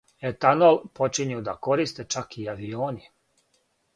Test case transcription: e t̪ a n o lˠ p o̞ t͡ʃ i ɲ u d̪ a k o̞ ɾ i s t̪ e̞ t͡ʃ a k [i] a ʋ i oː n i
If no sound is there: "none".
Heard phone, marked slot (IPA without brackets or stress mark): i